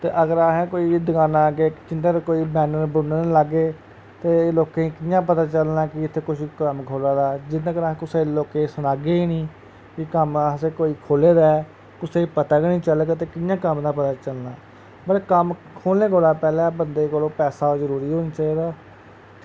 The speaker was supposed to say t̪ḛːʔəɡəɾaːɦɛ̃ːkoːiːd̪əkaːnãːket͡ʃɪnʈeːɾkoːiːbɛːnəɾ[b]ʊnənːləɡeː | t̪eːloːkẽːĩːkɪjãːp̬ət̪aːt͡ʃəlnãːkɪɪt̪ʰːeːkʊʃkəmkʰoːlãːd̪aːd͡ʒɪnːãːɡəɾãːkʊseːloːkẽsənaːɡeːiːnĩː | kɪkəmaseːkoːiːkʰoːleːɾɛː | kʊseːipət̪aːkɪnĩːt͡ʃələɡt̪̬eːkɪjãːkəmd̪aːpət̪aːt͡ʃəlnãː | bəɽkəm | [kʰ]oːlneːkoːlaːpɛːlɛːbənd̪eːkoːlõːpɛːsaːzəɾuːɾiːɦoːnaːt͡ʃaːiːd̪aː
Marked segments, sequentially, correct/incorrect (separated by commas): correct, correct